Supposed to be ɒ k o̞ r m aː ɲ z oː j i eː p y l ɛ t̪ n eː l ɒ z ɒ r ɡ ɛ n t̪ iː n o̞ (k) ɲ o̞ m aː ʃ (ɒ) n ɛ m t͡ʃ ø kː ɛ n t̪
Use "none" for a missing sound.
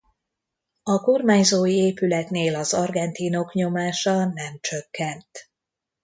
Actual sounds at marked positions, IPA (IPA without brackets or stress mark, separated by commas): k, ɒ